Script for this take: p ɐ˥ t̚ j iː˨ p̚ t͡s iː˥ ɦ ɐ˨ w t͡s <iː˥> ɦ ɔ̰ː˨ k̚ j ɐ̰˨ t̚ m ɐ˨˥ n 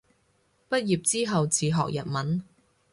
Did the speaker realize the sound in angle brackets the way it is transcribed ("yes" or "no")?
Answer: no